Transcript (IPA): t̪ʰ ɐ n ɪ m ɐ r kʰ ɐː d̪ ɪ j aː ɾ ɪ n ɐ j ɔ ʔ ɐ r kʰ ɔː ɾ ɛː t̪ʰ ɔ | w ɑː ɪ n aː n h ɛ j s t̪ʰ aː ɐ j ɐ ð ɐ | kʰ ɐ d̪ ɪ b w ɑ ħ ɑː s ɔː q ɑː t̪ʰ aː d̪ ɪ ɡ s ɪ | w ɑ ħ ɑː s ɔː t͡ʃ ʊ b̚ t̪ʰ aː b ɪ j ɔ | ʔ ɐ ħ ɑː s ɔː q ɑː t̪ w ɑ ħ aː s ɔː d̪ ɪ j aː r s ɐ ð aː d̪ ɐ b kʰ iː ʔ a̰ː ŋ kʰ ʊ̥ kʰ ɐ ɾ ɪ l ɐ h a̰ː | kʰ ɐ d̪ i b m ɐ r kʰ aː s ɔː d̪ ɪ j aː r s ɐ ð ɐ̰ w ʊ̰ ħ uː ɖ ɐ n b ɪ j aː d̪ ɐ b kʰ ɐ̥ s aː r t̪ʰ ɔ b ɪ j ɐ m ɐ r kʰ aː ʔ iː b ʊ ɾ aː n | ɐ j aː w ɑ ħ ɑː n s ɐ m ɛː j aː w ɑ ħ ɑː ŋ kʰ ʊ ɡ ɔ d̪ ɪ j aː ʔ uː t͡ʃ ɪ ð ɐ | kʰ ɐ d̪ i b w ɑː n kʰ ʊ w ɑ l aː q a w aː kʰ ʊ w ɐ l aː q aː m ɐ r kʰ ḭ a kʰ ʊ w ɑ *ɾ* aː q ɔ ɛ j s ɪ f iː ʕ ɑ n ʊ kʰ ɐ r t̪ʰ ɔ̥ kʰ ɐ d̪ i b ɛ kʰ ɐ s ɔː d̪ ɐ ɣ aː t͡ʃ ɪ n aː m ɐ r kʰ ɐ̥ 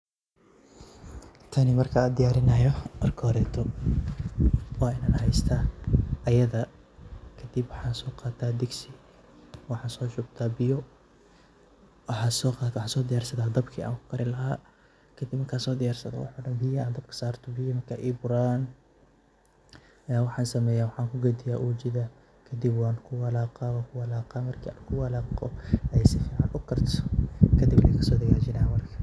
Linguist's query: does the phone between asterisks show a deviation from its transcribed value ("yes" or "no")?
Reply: yes